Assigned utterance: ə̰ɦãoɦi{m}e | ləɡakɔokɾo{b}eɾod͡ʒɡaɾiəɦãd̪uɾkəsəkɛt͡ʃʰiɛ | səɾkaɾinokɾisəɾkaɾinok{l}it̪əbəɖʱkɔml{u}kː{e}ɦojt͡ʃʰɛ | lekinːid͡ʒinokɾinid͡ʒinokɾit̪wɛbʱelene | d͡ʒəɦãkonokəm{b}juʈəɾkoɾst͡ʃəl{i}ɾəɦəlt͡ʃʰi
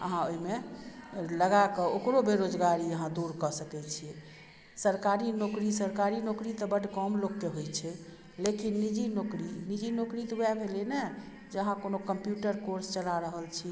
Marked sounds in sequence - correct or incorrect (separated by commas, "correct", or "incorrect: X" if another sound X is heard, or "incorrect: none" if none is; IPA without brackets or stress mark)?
correct, correct, incorrect: ɾ, incorrect: o, correct, incorrect: p, incorrect: a